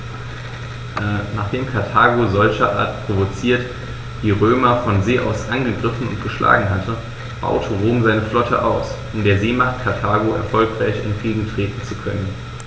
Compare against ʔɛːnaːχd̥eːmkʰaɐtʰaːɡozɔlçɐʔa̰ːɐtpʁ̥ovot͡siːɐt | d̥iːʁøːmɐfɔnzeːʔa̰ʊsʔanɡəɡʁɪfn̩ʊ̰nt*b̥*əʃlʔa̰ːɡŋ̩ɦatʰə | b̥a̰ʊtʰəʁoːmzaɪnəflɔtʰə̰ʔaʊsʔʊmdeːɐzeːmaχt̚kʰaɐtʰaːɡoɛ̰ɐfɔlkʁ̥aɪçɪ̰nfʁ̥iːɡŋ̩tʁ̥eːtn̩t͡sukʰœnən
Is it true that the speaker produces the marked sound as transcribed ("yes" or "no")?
no